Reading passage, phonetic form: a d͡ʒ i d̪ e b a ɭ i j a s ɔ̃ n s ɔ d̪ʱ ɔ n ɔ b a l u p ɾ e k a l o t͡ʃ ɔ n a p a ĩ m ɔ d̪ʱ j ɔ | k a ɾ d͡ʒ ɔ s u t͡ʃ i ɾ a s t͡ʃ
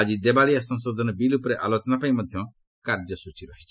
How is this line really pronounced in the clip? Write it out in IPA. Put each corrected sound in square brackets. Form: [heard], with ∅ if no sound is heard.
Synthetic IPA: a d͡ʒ i d̪ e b a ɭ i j a s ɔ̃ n s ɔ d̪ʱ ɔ n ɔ b [i] l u p ɾ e [ʔ] a l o t͡ʃ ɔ n a p a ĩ m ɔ d̪ʱ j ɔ | k a ɾ d͡ʒ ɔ s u t͡ʃ i ɾ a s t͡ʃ

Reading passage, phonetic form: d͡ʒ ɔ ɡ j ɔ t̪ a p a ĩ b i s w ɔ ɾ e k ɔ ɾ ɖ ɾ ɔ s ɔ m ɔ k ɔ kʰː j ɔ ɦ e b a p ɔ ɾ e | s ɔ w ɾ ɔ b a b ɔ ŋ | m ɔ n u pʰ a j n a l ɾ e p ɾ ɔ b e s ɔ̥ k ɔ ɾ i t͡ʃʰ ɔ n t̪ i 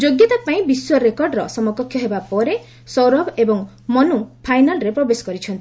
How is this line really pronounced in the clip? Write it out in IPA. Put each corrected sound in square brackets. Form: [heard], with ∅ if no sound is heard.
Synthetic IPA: d͡ʒ [o] ɡ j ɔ t̪ a p a ĩ b i s w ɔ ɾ e k ɔ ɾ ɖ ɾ ɔ s ɔ m ɔ k ɔ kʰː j ɔ ɦ e b a p ɔ ɾ e | s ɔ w ɾ ɔ b [e] b ɔ ŋ | m ɔ n u pʰ a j n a l ɾ e p ɾ ɔ b e s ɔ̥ k ɔ ɾ i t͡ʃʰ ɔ n t̪ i

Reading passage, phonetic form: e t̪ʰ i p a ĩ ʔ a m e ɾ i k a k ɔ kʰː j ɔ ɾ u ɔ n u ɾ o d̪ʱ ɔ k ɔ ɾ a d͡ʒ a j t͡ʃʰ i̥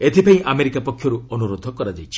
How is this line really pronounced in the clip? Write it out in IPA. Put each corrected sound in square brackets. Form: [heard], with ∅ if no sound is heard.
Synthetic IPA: e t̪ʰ i p a ĩ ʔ a m e ɾ i k a [p] ɔ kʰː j ɔ ɾ u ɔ n u ɾ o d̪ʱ ɔ k ɔ ɾ a d͡ʒ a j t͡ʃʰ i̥

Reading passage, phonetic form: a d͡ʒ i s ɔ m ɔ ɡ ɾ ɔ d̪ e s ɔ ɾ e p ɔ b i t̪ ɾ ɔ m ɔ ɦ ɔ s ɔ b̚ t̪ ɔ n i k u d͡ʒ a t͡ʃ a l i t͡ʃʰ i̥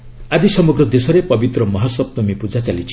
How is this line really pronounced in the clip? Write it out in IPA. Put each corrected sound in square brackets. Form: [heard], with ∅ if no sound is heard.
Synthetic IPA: a d͡ʒ i s ɔ m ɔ ɡ ɾ ɔ d̪ e s ɔ ɾ e p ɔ b i t̪ ɾ ɔ m ɔ ɦ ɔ s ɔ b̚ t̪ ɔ [m] i [p] u d͡ʒ a t͡ʃ a l i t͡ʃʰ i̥

